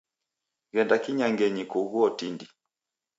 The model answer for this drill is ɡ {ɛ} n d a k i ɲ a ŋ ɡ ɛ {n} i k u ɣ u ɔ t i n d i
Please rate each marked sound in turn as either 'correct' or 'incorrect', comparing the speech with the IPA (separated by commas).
correct, incorrect